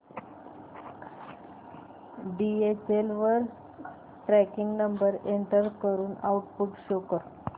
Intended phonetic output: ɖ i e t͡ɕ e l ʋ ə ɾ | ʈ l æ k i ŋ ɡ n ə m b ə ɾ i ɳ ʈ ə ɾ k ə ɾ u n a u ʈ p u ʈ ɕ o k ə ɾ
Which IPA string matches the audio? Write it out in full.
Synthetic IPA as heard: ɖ i e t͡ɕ e l ʋ ə ɾ | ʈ ɾ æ k i ŋ ɡ n ə m b ə ɾ e ɳ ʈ ə ɾ k ə ɾ uː n a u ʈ p u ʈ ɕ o k ə ɾ